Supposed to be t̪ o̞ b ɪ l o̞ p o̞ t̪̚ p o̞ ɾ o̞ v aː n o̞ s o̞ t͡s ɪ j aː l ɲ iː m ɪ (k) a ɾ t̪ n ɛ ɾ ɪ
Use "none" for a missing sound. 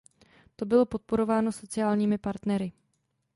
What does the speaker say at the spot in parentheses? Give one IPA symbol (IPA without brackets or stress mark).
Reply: p